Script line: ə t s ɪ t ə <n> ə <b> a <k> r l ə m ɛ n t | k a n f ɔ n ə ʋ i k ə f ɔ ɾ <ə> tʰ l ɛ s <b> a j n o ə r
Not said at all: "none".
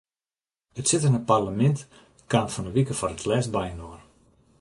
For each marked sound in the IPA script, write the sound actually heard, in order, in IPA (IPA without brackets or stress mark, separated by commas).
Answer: n, p, none, ə, b